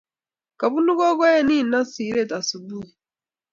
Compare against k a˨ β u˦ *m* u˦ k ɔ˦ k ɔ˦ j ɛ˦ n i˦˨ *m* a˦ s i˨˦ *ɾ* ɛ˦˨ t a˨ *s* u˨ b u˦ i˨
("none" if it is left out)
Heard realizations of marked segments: n, n, ɾ, s

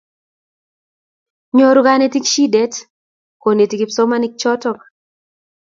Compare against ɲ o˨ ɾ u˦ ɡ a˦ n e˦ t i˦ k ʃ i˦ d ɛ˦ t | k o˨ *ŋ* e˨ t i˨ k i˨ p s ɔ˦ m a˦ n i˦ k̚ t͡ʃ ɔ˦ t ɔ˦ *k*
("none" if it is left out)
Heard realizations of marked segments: n, k

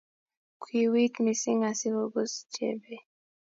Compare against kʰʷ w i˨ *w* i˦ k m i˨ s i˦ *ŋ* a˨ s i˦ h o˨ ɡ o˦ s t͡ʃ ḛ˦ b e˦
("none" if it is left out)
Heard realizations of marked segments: w, ŋ

